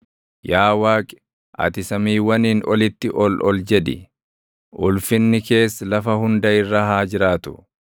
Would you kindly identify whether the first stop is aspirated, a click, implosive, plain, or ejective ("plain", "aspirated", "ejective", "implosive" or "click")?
ejective